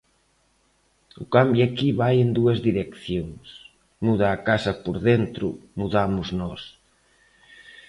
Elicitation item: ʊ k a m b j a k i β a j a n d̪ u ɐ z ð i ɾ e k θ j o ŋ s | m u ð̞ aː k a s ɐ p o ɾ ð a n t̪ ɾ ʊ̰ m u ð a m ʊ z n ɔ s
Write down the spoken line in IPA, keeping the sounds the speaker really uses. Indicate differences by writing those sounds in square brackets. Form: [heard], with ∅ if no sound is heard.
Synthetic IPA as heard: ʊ k a m b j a k i β a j [e] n d̪ u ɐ z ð i ɾ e k θ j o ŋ s | m u ð̞ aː k a s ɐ p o ɾ ð [e] n t̪ ɾ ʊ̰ m u ð a m ʊ z n ɔ s